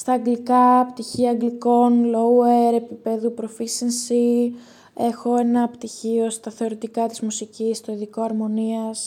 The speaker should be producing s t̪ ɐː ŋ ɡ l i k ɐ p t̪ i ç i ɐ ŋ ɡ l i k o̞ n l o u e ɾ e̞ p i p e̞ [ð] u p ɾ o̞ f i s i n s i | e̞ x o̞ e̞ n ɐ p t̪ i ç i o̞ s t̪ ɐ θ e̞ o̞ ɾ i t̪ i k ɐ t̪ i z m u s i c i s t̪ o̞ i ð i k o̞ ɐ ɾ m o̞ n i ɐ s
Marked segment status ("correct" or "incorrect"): correct